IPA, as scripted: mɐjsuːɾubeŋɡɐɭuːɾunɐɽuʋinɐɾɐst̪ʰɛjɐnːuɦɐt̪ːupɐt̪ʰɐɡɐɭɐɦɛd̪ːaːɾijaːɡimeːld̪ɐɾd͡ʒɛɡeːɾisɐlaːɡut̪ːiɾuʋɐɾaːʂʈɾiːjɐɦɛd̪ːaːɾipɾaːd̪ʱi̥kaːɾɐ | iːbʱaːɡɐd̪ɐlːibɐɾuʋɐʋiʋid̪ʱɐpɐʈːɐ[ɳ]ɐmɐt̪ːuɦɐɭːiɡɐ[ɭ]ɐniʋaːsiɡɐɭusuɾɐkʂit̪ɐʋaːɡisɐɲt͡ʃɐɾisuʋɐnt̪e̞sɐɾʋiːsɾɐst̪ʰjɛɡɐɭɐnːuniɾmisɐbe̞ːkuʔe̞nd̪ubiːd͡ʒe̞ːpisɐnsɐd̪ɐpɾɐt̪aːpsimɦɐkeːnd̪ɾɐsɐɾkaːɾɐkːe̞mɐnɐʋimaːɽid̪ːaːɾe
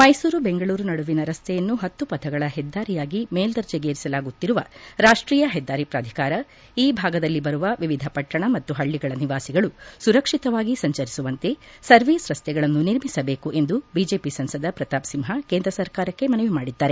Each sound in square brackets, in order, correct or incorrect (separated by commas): correct, correct